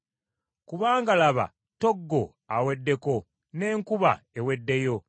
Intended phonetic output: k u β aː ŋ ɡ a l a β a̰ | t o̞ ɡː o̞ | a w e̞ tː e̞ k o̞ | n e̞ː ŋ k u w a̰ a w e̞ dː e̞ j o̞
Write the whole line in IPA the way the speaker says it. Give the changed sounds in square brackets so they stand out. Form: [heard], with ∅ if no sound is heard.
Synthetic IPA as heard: k u β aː ŋ ɡ a l a β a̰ | t o̞ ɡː o̞ | a w e̞ [dː] e̞ k o̞ | n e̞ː ŋ k u [β] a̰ [e] w e̞ dː e̞ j o̞